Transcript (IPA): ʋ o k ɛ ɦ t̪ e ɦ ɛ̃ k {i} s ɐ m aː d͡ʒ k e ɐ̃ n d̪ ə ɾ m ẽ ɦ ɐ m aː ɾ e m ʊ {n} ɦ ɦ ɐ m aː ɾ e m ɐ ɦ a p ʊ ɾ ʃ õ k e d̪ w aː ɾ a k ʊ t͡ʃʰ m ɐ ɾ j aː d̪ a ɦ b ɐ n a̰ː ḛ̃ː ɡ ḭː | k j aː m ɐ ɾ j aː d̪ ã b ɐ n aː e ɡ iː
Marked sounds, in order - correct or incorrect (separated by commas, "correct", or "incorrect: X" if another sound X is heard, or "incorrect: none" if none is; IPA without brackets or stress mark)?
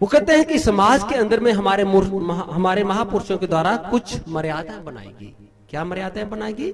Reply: correct, incorrect: none